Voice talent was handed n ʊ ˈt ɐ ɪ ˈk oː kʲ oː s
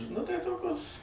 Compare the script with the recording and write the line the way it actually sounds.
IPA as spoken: n ʊ ˈt ɐ ɪ ˈt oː kʲ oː s